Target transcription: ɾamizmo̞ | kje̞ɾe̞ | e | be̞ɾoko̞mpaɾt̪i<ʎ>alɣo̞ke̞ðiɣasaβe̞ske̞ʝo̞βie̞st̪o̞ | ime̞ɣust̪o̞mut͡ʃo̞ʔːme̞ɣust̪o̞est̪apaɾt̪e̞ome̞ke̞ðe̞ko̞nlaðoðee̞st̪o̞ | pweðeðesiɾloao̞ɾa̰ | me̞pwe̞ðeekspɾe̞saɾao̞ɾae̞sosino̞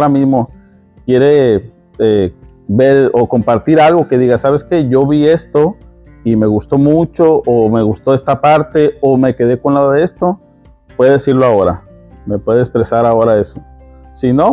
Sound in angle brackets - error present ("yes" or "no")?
yes